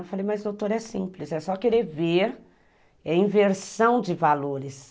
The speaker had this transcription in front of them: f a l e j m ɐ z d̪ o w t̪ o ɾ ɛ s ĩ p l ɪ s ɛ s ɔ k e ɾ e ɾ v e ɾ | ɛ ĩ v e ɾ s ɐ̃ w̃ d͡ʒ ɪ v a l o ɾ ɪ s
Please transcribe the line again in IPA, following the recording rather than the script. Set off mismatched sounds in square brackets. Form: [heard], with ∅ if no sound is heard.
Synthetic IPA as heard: f a l e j m ɐ z d̪ o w t̪ o ɾ ɛ s ĩ p l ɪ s ɛ s ɔ k e ɾ e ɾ v e ɾ | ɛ ĩ v e ɾ s ɐ̃ w̃ d͡ʒ ɪ v a l o ɾ ɪ s